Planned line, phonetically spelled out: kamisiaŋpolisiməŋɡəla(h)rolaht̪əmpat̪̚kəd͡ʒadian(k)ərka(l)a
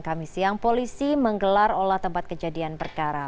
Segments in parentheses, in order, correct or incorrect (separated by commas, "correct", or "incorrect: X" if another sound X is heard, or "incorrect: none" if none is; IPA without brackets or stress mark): incorrect: none, incorrect: p, incorrect: ɾ